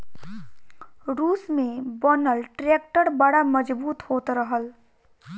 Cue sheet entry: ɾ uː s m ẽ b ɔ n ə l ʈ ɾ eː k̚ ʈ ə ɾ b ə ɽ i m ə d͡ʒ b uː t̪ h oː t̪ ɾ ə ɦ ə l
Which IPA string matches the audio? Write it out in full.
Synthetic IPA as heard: ɾ uː s m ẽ b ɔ n ə l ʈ ɾ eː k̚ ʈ ə ɾ b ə ɽ a m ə d͡ʒ b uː t̪ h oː t̪ ɾ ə ɦ ə l